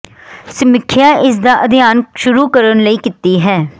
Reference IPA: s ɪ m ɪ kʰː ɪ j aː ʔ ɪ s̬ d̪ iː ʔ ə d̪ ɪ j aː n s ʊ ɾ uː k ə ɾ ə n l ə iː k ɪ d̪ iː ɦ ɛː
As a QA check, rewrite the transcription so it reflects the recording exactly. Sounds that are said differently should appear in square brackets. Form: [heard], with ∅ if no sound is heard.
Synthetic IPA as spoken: s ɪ m ɪ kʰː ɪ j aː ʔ ɪ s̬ d̪ [aː] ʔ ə d̪ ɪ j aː n [ʃ] ʊ ɾ uː k ə ɾ ə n l ə iː k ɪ [t̪] iː ɦ ɛː